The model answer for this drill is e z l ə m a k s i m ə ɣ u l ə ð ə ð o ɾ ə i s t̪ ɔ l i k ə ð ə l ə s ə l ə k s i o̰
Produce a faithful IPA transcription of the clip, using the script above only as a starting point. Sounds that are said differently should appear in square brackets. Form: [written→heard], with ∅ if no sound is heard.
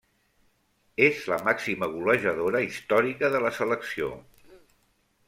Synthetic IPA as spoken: e z l ə m a k s i m ə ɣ u l ə [ð→ʒ] ə ð o ɾ ə i s t̪ ɔ [l→ɾ] i k ə ð ə l ə s ə l ə k s i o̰